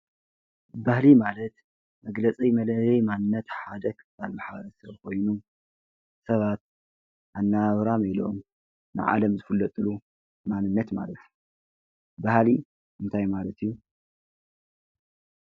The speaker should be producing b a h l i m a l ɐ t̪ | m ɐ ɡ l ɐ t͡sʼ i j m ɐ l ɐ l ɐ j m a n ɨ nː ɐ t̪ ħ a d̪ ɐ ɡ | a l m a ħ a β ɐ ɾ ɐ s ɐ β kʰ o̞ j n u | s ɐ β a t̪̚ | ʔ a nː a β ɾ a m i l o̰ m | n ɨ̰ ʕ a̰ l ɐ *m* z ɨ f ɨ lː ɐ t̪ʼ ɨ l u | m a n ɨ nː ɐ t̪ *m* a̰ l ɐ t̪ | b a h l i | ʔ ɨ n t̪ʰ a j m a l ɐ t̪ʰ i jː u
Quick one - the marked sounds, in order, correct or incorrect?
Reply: correct, correct

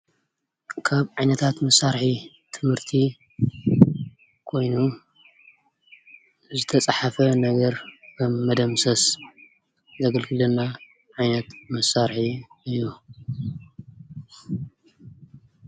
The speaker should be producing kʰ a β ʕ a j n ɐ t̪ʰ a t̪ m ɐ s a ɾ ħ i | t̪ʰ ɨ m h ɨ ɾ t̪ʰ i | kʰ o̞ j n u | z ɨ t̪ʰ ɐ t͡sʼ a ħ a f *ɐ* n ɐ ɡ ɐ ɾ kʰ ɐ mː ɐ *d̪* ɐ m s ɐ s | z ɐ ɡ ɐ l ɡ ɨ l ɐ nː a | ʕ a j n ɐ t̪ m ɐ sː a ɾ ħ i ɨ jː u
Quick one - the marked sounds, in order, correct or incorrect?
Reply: correct, correct

